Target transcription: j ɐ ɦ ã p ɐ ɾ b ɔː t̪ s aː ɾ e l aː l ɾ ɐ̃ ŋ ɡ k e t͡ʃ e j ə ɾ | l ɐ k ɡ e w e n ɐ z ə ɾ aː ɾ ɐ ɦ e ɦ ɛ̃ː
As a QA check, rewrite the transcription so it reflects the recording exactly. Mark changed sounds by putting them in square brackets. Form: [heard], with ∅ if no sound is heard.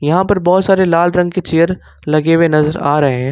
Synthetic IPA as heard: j ɐ ɦ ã p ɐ ɾ b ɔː t̪ s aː ɾ e l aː l ɾ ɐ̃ ŋ ɡ k e t͡ʃ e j ə ɾ | l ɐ [∅] ɡ e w e n ɐ z ə ɾ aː ɾ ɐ ɦ e ɦ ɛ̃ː